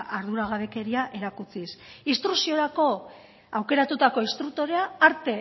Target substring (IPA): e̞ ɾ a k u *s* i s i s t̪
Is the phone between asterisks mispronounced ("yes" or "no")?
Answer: yes